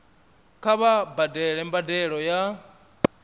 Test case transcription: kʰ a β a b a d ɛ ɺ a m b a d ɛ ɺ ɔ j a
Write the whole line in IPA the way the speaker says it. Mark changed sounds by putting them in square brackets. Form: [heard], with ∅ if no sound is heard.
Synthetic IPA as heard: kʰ a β a b a d ɛ ɺ [ɛ] m b a d ɛ ɺ ɔ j a